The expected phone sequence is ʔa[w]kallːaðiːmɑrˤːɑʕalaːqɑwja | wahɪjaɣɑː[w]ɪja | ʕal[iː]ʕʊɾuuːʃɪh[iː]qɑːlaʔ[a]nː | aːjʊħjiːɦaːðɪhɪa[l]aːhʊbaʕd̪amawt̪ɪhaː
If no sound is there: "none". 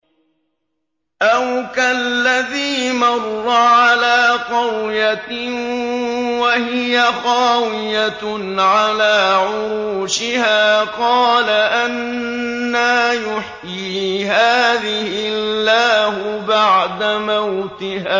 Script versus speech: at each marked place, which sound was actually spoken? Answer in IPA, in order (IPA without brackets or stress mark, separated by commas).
w, w, aː, aː, a, lː